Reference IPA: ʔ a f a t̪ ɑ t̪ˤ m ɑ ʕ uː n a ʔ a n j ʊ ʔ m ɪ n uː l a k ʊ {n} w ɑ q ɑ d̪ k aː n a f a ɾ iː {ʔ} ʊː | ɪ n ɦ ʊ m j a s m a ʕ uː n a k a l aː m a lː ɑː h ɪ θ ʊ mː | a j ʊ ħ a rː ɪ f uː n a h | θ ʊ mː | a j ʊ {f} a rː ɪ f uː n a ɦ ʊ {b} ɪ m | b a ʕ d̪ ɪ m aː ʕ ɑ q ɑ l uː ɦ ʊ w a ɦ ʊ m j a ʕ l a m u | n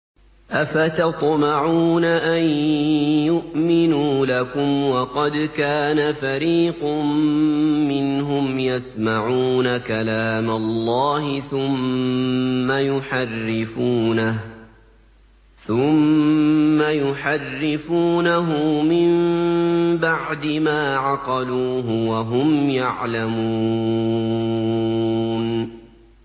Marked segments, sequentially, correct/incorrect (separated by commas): incorrect, incorrect, incorrect, incorrect